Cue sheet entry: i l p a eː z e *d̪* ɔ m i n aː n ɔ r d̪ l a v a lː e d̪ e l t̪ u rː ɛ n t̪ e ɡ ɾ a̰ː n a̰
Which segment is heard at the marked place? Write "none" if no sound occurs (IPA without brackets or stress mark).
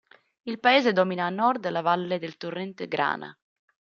d̪